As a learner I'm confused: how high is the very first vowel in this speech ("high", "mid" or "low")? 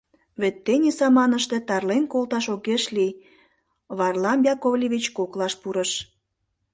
mid